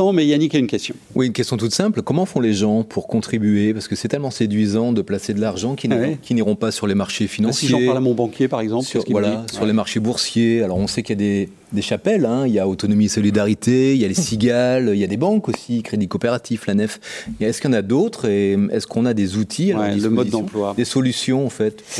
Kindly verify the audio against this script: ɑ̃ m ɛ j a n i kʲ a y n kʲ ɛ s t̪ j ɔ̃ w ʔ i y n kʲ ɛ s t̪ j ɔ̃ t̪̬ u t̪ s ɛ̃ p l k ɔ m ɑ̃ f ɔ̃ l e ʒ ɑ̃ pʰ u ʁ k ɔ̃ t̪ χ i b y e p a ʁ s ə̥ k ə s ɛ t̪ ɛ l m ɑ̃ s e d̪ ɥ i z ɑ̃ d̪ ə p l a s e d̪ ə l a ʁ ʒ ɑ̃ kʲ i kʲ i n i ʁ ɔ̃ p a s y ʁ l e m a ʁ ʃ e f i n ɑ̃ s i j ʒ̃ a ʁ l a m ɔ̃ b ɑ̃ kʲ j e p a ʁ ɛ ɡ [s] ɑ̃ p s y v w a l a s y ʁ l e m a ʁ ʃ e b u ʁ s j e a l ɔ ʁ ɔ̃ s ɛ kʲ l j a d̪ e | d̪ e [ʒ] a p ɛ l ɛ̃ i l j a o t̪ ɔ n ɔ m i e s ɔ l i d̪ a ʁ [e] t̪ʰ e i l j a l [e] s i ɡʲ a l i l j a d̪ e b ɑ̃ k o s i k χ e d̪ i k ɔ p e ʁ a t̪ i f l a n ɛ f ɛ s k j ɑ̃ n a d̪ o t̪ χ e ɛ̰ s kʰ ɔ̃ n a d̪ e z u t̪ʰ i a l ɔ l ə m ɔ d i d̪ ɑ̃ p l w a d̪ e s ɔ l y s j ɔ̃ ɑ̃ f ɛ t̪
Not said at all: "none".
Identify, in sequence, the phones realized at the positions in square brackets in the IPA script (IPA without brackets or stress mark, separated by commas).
z, ʃ, i, e